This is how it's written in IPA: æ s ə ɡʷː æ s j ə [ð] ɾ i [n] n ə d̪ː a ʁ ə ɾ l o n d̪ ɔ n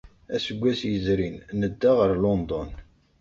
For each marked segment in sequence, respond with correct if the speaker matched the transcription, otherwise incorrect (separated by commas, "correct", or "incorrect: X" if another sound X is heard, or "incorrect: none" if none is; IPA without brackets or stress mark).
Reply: incorrect: z, correct